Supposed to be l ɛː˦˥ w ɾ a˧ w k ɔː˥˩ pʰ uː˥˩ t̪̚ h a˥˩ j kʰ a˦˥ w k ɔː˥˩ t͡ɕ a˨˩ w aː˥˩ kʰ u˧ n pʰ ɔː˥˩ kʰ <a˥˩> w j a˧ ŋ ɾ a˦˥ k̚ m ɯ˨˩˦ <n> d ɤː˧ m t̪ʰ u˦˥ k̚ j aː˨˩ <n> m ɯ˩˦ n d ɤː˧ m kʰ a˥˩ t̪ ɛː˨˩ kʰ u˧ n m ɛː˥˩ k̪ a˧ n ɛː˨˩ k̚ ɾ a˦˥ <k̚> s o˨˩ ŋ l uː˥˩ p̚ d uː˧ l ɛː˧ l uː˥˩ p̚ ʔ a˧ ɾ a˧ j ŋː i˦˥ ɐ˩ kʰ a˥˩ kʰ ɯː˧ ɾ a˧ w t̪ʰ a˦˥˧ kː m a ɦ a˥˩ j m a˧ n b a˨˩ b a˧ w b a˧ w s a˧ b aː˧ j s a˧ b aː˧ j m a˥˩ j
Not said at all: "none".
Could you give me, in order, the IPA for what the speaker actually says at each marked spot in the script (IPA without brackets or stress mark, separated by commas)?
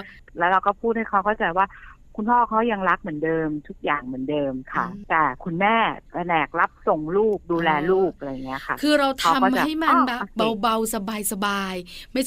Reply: a˦˥, n, ŋ, p̚